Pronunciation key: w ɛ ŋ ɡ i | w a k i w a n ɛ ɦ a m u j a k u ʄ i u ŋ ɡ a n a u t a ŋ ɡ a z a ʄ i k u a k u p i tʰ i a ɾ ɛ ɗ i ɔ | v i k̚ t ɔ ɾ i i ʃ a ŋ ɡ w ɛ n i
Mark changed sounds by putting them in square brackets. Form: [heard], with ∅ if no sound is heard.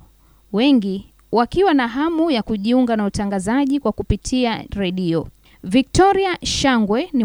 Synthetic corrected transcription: w ɛ ŋ ɡ i | w a k i w a n [a] ɦ a m u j a k u ʄ i u ŋ ɡ a n a u t a ŋ ɡ a z a ʄ i k [w] a k u p i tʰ i a ɾ ɛ ɗ i ɔ | v i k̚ t ɔ ɾ i [a] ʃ a ŋ ɡ w ɛ n i